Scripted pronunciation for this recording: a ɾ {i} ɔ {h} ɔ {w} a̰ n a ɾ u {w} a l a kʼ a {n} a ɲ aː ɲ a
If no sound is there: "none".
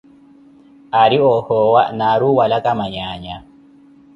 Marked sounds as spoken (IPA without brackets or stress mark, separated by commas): i, h, w, w, m